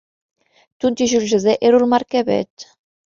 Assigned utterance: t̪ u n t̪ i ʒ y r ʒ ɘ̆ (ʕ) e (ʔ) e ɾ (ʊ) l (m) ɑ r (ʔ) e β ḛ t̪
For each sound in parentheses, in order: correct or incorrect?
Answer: incorrect, correct, incorrect, correct, incorrect

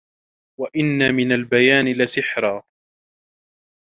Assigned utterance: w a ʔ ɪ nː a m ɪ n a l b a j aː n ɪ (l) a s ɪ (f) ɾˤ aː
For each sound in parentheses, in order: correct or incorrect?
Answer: correct, incorrect

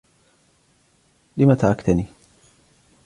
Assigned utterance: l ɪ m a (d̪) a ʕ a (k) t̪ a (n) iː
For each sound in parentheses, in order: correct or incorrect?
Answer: incorrect, correct, correct

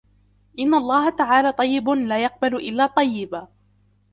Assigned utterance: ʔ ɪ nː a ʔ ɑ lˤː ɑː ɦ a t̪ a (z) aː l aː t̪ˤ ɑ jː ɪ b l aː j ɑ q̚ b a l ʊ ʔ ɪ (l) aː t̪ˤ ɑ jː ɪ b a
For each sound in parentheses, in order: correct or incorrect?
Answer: incorrect, incorrect

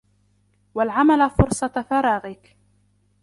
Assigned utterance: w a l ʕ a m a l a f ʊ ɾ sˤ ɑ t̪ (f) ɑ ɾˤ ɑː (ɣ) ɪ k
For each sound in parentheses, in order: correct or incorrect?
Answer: correct, correct

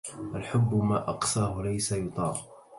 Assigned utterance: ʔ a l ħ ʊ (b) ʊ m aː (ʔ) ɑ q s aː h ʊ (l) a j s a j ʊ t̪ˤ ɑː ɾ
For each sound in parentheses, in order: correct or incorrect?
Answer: incorrect, correct, correct

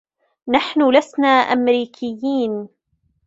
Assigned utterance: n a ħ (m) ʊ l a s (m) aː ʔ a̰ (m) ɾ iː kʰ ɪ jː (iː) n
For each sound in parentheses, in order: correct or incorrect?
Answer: incorrect, incorrect, correct, correct

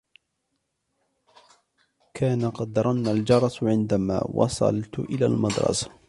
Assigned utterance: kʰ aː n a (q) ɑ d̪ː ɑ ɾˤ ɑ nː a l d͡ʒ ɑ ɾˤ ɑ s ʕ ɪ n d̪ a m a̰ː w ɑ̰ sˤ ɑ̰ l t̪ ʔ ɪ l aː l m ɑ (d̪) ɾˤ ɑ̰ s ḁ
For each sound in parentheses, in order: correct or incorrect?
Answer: correct, correct

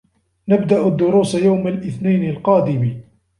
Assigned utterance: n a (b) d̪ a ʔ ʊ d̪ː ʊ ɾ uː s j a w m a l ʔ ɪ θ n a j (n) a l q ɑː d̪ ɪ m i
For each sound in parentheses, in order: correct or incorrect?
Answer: correct, correct

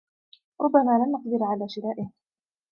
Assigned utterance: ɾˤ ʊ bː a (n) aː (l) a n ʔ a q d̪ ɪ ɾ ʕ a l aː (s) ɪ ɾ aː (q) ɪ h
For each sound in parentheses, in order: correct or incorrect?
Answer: incorrect, correct, incorrect, incorrect

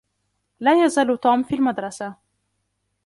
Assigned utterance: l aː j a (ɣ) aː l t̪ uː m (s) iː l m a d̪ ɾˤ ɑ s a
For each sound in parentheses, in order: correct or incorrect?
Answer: incorrect, incorrect

